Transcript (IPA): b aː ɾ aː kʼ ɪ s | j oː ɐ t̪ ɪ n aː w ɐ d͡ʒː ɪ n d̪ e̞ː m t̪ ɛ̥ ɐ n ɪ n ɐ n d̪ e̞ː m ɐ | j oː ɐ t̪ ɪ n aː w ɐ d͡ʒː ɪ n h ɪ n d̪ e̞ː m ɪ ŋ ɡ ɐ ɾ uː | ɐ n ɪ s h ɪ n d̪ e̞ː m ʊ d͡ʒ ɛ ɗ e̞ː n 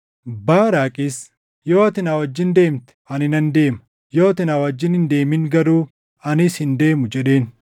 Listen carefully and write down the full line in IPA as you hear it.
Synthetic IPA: b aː ɾ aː kʼ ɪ s | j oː ɐ t̪ ɪ n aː w ɐ d͡ʒː ɪ n d̪ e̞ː m t̪ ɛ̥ ɐ n ɪ n ɐ n d̪ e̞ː m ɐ | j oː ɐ t̪ ɪ n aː w ɐ d͡ʒː ɪ n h ɪ n d̪ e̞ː m ɪ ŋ ɡ ɐ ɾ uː | ɐ n ɪ s h ɪ n d̪ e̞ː m ʊ d͡ʒ ɛ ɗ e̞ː n